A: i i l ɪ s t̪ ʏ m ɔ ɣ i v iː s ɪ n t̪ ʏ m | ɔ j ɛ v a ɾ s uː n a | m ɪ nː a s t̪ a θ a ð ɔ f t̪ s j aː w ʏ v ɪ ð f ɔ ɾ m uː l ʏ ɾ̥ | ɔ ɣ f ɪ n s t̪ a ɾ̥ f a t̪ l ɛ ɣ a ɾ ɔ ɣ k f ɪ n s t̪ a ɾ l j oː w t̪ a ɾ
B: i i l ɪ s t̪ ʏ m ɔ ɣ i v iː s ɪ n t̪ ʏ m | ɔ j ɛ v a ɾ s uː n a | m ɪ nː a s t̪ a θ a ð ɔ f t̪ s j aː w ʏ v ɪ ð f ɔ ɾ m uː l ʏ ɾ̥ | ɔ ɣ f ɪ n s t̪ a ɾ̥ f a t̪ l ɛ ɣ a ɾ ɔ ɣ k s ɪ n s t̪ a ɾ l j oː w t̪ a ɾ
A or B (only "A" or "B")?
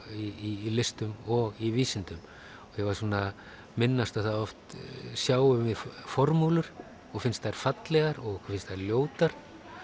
A